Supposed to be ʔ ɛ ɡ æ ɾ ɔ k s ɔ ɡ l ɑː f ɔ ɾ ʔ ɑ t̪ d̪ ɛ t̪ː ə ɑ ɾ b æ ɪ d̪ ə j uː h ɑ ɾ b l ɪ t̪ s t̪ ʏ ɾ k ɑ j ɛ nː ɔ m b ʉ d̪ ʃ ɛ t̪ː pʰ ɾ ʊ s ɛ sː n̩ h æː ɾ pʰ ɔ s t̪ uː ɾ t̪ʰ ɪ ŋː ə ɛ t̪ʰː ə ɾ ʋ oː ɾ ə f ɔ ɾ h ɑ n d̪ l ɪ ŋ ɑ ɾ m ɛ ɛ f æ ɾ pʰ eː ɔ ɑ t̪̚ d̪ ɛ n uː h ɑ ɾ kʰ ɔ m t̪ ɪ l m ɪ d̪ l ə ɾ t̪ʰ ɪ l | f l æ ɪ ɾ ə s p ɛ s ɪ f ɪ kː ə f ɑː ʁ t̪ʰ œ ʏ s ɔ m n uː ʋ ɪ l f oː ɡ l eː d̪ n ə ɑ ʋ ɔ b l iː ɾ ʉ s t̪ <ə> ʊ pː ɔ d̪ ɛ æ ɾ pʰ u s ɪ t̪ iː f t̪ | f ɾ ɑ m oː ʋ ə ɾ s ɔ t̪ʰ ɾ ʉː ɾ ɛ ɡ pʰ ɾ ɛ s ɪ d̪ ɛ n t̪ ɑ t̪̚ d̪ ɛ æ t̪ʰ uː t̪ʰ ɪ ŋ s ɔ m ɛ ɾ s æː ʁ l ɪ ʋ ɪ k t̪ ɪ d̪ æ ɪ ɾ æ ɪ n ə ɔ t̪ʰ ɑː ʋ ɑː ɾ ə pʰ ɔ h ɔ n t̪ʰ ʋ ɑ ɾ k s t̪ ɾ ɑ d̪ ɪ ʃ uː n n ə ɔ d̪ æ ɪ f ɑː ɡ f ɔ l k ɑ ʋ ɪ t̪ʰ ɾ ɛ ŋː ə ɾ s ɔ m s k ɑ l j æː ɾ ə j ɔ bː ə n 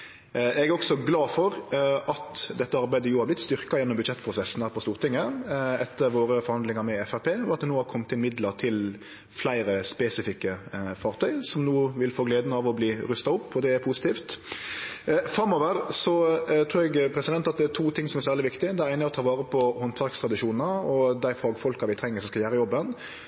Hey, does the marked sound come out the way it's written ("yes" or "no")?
no